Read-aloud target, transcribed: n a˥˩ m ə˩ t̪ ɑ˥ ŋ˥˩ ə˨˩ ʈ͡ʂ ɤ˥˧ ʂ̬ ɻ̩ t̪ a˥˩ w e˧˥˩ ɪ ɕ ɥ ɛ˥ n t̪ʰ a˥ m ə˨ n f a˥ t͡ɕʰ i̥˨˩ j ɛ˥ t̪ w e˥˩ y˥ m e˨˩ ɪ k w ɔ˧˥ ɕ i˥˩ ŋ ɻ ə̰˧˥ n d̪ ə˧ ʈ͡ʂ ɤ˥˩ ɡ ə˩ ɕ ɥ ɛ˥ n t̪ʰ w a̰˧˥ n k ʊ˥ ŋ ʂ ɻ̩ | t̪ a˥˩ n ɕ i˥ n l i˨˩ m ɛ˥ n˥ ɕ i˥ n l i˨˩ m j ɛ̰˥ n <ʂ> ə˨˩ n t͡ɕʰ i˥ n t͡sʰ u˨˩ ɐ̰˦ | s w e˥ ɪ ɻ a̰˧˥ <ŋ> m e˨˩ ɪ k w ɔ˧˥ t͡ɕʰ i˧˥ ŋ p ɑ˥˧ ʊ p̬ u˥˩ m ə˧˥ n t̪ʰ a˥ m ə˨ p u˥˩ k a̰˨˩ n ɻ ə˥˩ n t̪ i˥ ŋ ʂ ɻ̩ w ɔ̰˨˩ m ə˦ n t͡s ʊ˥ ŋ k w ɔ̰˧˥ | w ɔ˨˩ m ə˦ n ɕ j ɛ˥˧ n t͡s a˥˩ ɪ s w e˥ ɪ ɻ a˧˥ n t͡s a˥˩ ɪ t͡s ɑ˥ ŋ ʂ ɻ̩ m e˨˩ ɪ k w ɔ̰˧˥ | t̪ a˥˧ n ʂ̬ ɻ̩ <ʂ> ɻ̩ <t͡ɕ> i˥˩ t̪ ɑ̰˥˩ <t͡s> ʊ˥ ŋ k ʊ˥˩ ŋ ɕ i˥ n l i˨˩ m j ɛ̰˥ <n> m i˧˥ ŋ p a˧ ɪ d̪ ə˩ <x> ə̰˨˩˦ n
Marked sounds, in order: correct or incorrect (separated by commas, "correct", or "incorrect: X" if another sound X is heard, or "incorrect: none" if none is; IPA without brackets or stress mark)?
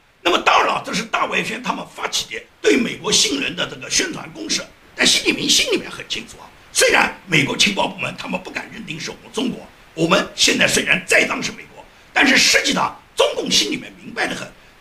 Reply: incorrect: x, incorrect: n, correct, correct, correct, correct, correct